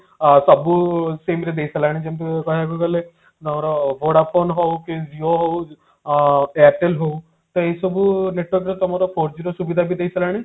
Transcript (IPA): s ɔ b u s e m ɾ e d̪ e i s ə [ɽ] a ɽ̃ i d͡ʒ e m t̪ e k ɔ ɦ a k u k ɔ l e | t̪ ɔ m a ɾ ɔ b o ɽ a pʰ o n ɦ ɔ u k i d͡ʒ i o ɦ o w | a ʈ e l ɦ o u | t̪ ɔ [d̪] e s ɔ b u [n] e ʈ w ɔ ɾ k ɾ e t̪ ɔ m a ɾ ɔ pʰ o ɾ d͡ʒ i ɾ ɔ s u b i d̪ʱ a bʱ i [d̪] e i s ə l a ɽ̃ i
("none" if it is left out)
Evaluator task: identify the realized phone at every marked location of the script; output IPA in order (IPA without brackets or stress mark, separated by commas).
l, none, n, d̪